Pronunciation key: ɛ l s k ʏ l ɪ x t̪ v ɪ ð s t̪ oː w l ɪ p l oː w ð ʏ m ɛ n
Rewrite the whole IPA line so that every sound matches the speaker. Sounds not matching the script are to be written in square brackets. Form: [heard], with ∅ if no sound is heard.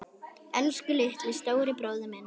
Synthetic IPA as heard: ɛ l s k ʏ l ɪ [h] t̪ v ɪ ð s t̪ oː w [ɾ] ɪ p [ɾ] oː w ð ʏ m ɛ n